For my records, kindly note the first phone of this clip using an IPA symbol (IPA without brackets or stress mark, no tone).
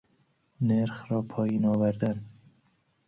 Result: n